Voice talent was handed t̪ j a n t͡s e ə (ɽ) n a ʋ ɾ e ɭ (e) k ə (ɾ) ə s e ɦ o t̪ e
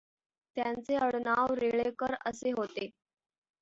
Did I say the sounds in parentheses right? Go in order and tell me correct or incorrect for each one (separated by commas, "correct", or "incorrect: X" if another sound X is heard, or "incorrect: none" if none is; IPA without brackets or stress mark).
correct, correct, correct